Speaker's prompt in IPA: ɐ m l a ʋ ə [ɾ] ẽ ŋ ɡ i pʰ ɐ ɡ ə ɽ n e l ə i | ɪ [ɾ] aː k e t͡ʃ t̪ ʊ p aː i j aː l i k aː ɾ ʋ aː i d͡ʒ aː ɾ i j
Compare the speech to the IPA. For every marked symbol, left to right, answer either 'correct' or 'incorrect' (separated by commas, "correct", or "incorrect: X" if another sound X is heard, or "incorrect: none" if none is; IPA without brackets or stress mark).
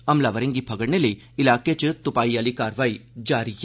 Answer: correct, incorrect: l